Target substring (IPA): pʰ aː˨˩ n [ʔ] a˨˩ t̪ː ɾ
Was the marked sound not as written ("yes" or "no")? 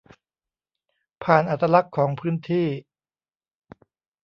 no